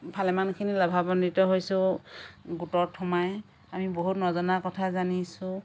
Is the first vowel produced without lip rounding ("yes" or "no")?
yes